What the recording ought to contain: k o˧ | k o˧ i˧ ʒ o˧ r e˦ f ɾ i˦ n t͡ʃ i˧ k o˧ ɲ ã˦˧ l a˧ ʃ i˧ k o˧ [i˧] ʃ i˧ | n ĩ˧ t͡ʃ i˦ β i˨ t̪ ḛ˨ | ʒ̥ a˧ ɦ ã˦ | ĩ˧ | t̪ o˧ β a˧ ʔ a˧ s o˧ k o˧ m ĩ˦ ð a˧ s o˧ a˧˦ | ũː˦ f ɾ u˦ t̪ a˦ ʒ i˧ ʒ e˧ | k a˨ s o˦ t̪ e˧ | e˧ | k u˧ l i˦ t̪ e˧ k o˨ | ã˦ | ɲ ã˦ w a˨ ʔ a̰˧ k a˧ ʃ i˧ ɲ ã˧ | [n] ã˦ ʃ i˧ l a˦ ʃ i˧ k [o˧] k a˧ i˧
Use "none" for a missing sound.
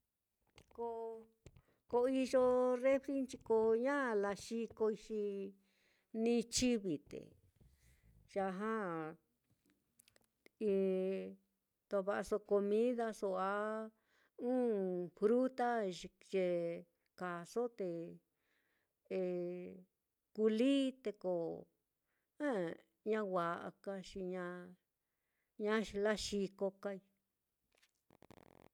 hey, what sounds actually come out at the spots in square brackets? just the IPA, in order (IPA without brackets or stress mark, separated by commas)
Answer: i˧, ɲ, o˧